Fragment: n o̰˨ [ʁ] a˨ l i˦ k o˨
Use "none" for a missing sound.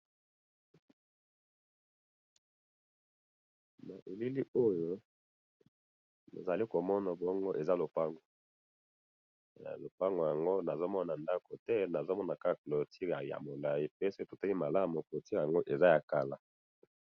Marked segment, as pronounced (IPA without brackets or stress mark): z